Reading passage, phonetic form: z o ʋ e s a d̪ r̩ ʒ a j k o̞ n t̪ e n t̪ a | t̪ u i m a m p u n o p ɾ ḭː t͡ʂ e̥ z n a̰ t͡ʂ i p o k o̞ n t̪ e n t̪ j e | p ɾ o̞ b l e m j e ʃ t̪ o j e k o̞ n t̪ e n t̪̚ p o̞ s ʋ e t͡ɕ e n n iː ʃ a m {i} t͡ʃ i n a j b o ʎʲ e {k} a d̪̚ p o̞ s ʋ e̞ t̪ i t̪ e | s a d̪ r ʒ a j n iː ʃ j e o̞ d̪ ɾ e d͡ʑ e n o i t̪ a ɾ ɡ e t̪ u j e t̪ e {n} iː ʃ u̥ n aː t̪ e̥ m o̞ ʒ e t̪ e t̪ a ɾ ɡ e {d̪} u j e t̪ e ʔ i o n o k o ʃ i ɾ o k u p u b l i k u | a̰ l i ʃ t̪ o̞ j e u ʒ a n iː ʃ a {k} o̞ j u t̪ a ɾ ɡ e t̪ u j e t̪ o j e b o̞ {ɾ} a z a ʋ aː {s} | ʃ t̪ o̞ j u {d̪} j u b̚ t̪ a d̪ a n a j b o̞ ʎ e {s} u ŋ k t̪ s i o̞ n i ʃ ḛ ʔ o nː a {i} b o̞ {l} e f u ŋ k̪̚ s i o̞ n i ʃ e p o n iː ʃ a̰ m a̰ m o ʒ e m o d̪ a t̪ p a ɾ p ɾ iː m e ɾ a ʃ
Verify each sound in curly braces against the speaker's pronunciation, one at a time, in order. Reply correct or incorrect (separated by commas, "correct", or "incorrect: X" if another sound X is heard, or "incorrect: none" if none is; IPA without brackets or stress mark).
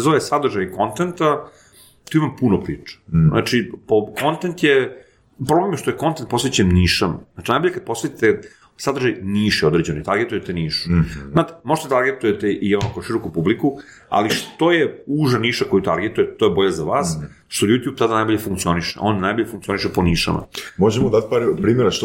incorrect: a, correct, correct, incorrect: t̪, correct, incorrect: ʎ, correct, incorrect: t̪, incorrect: f, incorrect: j, incorrect: ʎ